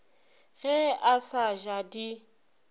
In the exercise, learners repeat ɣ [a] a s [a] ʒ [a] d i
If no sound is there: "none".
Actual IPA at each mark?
ɛ, a, a

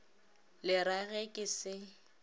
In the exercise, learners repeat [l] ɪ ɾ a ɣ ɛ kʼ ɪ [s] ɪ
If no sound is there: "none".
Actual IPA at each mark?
l, s

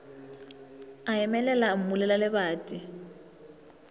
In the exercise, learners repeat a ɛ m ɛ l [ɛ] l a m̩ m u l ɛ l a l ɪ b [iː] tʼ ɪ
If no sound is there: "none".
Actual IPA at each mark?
ɛ, aː

